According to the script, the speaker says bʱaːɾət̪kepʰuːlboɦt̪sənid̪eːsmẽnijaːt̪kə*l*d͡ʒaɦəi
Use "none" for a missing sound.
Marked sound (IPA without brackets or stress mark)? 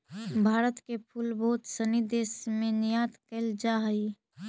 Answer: l